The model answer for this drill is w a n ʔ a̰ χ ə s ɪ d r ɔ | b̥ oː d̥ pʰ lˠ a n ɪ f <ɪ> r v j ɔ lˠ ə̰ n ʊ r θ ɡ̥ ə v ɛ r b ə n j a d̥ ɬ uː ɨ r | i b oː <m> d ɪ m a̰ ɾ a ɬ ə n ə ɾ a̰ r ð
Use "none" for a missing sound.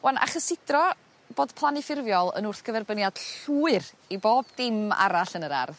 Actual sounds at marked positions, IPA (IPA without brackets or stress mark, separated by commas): ɪ, b